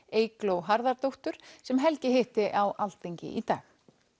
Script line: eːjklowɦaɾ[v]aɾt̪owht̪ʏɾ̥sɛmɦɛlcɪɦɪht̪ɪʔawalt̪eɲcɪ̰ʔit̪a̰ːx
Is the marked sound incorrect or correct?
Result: incorrect